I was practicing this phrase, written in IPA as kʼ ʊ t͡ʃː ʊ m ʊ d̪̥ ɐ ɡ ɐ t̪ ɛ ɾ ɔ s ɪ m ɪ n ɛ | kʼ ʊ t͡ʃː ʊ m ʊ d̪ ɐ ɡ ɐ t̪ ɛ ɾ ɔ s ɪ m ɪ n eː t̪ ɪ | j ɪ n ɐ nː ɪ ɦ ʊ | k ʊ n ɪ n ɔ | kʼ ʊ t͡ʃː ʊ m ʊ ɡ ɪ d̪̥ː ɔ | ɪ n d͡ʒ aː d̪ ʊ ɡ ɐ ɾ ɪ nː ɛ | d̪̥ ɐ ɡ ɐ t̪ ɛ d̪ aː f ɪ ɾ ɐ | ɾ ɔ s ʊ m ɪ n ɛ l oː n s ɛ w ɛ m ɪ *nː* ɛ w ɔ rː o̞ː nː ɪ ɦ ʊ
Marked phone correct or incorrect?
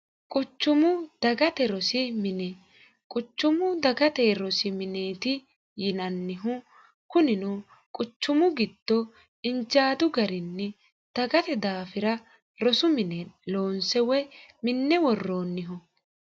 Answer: correct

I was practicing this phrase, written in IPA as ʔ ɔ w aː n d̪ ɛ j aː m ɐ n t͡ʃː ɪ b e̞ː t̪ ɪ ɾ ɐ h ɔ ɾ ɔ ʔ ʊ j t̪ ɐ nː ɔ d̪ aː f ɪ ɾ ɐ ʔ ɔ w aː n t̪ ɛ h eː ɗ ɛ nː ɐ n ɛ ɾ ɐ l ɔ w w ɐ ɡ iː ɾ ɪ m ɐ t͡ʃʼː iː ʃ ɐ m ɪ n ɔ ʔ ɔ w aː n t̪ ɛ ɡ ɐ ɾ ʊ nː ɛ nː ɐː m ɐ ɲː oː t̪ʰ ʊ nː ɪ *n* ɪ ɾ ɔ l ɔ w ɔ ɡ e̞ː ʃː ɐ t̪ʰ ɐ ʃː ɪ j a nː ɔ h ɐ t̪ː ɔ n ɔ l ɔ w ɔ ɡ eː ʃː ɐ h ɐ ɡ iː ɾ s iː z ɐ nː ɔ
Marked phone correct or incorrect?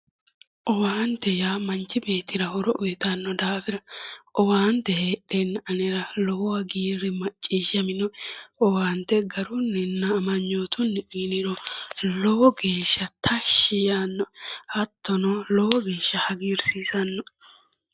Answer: correct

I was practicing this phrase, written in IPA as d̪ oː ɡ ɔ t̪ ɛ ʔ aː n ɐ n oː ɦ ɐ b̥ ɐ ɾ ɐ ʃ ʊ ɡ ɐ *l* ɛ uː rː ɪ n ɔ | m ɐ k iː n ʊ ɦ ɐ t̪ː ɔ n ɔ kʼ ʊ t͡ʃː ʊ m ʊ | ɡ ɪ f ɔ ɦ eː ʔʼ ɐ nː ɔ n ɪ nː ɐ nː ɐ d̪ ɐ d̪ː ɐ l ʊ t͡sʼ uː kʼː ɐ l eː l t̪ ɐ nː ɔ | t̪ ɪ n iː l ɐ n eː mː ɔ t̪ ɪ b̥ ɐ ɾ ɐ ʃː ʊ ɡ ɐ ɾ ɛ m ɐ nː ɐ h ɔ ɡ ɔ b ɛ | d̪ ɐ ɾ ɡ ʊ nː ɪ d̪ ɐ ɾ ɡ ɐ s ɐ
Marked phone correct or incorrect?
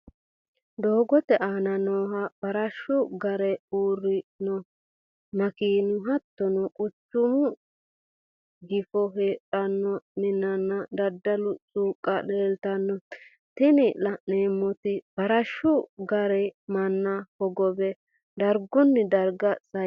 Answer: incorrect: ɾ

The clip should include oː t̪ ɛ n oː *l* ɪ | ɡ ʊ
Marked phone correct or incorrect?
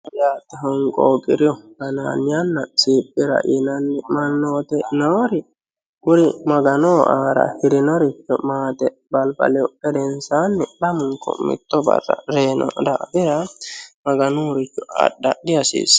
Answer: incorrect: ɾ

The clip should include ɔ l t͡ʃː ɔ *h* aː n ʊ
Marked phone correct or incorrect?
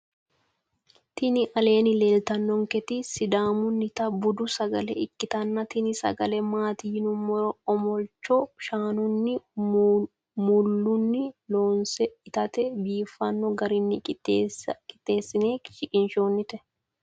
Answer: incorrect: ʃ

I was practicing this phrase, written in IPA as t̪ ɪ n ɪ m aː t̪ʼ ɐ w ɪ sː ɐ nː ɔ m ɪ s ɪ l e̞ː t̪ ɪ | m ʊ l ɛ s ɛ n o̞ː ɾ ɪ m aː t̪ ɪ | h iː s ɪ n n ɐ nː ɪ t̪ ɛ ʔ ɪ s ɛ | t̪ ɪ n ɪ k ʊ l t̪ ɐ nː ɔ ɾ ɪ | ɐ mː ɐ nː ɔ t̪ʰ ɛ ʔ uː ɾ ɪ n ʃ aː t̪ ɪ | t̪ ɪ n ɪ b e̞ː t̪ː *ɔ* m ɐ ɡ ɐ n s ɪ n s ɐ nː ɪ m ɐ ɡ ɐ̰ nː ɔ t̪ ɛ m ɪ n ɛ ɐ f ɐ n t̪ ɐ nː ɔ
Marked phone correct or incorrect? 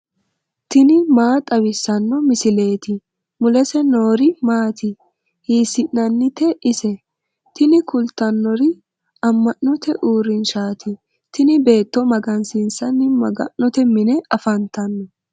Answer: correct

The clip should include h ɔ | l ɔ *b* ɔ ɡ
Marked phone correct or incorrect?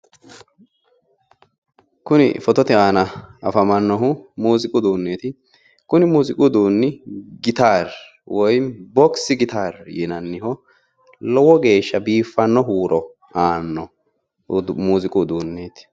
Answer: incorrect: w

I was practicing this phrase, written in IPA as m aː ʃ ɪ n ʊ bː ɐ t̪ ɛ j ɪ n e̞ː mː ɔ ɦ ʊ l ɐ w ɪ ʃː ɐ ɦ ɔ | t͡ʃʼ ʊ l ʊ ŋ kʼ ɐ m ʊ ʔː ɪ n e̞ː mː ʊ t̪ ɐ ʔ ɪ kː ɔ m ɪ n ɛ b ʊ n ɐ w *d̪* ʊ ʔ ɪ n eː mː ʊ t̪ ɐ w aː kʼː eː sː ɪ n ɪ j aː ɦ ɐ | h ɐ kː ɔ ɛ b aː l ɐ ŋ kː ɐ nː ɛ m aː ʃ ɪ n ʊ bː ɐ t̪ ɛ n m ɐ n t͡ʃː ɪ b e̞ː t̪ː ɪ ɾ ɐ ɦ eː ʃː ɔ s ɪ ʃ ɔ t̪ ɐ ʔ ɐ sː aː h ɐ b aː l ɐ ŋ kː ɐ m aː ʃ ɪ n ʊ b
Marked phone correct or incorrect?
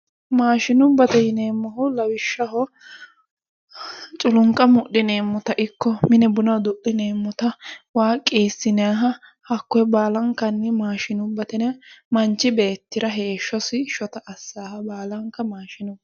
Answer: correct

